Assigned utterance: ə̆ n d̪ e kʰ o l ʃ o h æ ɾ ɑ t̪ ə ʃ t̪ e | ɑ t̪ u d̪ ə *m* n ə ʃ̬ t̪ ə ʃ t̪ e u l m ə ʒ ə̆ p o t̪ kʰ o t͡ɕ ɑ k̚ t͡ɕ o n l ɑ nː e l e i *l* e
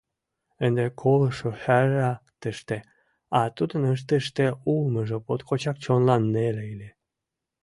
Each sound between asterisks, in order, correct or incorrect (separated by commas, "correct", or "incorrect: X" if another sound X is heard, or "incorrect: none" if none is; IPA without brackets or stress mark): incorrect: none, correct